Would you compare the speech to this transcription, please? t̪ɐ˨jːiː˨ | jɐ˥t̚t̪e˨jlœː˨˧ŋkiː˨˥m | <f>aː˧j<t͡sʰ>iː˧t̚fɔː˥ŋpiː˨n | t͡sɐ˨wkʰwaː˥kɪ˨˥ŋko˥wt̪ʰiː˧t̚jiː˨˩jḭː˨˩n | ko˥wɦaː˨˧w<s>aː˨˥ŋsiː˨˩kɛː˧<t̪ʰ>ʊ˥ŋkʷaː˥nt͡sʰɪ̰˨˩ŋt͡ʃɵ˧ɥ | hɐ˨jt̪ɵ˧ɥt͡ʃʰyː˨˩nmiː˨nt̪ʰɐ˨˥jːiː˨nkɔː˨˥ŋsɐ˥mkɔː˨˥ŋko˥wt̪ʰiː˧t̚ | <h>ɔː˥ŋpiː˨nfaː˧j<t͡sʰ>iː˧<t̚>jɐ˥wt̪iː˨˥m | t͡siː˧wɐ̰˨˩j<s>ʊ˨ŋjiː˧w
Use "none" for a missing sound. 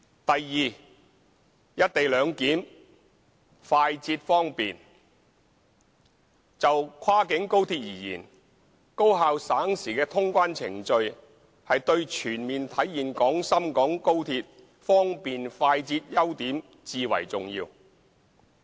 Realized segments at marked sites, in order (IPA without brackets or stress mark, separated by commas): f, t͡s, s, t̪ʰ, f, t͡s, t̚, t͡s